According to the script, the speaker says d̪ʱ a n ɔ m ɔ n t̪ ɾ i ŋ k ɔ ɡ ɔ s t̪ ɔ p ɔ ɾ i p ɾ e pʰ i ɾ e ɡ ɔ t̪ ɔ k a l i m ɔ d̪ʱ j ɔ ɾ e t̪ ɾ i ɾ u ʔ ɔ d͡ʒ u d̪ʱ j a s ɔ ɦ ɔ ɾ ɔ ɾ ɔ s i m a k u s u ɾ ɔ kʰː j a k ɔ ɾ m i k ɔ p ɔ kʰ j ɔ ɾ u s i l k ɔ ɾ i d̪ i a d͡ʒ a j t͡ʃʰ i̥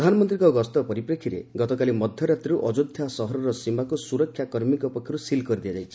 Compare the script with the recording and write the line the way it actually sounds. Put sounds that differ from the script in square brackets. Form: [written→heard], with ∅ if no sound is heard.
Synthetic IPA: d̪ʱ a n ɔ m ɔ n t̪ ɾ i ŋ k ɔ ɡ ɔ s t̪ ɔ p ɔ ɾ i p ɾ e [pʰ→kʰ] i ɾ e ɡ ɔ t̪ ɔ k a l i m ɔ d̪ʱ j ɔ ɾ [e→a] t̪ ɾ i ɾ u ʔ ɔ d͡ʒ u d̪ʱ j a s ɔ ɦ ɔ ɾ ɔ ɾ ɔ s i m a k u s u ɾ ɔ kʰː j a k ɔ ɾ m i k ɔ p ɔ kʰ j ɔ ɾ u s i l k ɔ ɾ i d̪ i a d͡ʒ a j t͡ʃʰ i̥